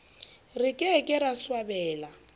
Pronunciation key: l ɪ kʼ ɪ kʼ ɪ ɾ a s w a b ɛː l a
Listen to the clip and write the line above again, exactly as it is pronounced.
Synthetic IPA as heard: r ɪ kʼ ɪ kʼ ɪ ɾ a s w a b ɛː l a